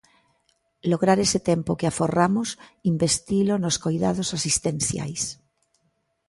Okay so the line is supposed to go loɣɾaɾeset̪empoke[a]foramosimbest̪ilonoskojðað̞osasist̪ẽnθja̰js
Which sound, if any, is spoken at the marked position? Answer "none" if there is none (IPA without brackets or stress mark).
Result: a